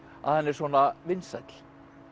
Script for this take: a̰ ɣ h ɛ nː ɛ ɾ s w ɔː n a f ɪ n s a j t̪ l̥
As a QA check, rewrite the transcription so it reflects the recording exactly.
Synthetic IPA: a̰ ð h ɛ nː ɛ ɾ s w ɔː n a v ɪ n s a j t̪ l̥